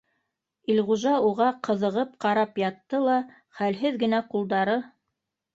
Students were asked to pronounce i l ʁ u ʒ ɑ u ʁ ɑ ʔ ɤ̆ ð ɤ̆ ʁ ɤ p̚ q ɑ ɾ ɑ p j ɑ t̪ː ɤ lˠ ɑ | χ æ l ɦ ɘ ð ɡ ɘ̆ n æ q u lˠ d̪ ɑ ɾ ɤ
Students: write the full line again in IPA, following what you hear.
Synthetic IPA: i l ʁ u ʒ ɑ u ʁ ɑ q ɤ̆ ð ɤ̆ ʁ ɤ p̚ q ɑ ɾ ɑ p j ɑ t̪ː ɤ lˠ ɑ | χ æ l ɦ ɘ ð ɡ ɘ̆ n æ q u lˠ d̪ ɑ ɾ ɤ